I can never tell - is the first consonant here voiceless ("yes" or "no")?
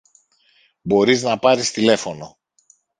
no